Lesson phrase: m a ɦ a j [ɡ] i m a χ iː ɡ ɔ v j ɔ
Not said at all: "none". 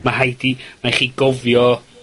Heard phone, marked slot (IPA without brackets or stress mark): d